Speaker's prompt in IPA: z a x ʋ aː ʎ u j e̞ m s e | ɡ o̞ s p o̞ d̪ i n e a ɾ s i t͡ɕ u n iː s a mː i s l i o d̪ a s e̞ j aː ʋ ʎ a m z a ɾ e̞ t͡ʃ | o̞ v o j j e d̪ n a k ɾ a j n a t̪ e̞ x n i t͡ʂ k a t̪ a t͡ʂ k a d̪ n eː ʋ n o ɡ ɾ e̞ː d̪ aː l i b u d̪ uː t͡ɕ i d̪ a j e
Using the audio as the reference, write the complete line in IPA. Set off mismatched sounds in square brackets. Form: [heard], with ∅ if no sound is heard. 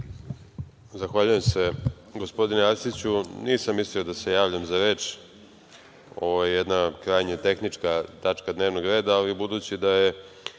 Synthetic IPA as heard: z a x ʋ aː ʎ u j e̞ m s e | ɡ o̞ s p o̞ d̪ i n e a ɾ s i t͡ɕ u n iː s a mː i s l i o d̪ a s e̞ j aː ʋ ʎ a m z a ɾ e̞ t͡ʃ | o̞ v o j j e d̪ n a k ɾ a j [ɲ] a t̪ e̞ x n i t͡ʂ k a t̪ a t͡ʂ k a d̪ n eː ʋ n o ɡ ɾ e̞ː d̪ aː l i b u d̪ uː t͡ɕ i d̪ a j e

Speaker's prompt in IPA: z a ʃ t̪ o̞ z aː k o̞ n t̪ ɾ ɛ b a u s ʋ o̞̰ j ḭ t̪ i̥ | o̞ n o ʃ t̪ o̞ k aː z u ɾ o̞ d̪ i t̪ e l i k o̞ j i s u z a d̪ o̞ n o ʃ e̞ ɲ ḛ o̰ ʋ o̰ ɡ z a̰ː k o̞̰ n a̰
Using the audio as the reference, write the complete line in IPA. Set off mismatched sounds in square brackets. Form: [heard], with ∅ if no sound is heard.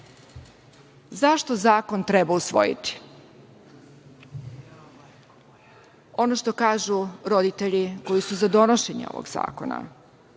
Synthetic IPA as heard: z a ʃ t̪ o̞ z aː k o̞ n t̪ ɾ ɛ b a u s ʋ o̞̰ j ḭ t̪ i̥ | o̞ n o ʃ t̪ o̞ k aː [ʒ] u ɾ o̞ d̪ i t̪ e [ʎ] i k o̞ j i s u z a d̪ o̞ n o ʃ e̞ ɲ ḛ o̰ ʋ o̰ ɡ z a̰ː k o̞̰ n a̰

